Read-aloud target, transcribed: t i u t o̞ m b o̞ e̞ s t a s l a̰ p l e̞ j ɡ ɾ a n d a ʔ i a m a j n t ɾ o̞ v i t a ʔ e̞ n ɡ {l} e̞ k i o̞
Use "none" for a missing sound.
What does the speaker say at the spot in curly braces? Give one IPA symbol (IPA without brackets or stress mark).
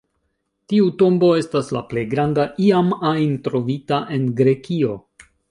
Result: ɾ